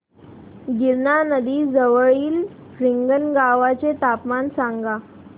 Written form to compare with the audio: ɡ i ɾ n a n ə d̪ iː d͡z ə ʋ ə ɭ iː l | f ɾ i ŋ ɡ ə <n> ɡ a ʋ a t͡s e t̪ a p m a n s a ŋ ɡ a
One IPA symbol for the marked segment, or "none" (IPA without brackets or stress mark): n